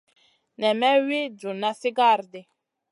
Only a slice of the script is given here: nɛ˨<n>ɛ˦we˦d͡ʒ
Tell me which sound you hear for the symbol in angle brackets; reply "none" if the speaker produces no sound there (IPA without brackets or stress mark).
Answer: m